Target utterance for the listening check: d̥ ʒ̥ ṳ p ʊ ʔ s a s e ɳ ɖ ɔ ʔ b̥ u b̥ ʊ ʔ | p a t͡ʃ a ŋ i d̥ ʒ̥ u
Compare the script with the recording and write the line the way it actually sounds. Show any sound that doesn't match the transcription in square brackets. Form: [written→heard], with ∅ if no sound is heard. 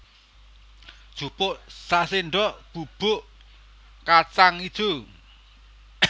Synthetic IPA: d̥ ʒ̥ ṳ p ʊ ʔ s a s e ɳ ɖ ɔ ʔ b̥ u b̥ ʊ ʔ | [p→k] a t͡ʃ a ŋ i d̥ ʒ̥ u